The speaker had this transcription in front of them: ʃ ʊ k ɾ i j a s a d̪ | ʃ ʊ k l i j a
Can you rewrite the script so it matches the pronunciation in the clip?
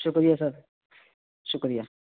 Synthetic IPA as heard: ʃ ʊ k ɾ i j a s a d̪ | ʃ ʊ k ɾ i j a